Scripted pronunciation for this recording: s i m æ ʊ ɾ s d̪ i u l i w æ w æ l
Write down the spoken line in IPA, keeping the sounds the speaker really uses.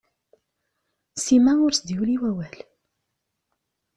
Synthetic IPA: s i m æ ʊ ɾ s d̪ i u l i w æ w æ l